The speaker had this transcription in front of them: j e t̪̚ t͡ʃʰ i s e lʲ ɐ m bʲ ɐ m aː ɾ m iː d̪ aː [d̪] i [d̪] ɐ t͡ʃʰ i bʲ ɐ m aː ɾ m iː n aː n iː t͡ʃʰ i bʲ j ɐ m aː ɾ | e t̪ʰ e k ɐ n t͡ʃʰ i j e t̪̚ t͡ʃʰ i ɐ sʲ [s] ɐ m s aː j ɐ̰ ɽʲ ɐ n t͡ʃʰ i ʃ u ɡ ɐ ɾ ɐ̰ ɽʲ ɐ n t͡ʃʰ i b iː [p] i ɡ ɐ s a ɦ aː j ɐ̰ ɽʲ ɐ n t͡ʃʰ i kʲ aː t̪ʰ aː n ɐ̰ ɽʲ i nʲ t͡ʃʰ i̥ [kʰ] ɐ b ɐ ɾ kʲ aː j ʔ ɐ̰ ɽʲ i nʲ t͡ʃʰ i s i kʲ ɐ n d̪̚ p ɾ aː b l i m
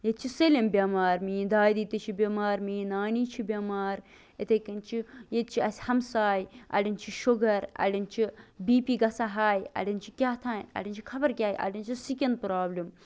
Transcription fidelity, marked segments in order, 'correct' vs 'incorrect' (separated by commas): correct, incorrect, incorrect, correct, correct